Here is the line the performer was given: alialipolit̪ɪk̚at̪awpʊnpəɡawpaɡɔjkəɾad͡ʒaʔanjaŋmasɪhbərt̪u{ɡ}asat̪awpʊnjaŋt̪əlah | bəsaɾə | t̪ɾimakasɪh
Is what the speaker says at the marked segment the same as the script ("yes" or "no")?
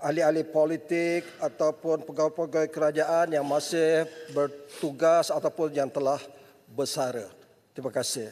yes